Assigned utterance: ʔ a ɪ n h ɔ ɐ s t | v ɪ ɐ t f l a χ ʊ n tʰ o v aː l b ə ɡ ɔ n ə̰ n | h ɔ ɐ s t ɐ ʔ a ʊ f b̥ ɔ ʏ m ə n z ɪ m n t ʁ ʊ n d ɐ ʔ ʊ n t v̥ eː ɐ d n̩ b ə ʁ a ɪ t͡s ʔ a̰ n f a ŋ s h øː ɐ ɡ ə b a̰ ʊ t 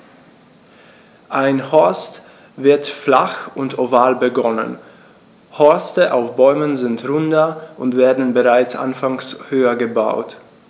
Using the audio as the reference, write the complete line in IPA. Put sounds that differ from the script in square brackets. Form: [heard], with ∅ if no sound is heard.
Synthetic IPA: ʔ a ɪ n h ɔ ɐ s t | v ɪ ɐ t f l a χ ʊ n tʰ o v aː l b ə ɡ ɔ n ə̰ n | h ɔ ɐ s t [ə] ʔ a ʊ f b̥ ɔ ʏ m ə n z ɪ [∅] n t ʁ ʊ n d ɐ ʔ ʊ n t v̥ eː ɐ d n̩ b ə ʁ a ɪ t͡s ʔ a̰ n f a ŋ s h øː ɐ ɡ ə b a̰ ʊ t